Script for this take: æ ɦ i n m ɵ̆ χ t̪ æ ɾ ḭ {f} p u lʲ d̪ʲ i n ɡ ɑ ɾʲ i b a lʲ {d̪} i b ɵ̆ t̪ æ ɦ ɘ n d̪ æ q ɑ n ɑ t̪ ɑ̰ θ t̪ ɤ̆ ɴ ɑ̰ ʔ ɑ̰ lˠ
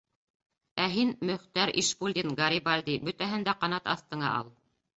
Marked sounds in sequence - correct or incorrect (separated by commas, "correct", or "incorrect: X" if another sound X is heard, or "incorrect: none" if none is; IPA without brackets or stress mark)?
incorrect: ʃ, correct